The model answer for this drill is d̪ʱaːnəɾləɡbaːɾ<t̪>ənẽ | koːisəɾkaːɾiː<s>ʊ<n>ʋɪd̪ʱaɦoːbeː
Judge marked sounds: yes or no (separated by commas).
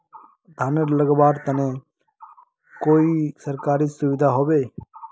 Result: yes, yes, no